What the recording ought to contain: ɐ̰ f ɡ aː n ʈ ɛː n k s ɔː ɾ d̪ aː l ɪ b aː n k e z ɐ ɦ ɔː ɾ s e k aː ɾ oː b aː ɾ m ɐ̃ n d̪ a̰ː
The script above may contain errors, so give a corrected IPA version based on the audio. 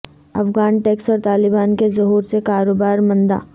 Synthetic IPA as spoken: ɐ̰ f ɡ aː n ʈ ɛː k s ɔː ɾ t̪ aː l ɪ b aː n k e z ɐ ɦ uː ɾ s e k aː ɾ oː b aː ɾ m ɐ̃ n d̪ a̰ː